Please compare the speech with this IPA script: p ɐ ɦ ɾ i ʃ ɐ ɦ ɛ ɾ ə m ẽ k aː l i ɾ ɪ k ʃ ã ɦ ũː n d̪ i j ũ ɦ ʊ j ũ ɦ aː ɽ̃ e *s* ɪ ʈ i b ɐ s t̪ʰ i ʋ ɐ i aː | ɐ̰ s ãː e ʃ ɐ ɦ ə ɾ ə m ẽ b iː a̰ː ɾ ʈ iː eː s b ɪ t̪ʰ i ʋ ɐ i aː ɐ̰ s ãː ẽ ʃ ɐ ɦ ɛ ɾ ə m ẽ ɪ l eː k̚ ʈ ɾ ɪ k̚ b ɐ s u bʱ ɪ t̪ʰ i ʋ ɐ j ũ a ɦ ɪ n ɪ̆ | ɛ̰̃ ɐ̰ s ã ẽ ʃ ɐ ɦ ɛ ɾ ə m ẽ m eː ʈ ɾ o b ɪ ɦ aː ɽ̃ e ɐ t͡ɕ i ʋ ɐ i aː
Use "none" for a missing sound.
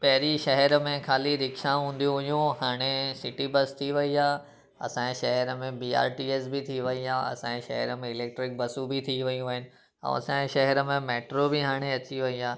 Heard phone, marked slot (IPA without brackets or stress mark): s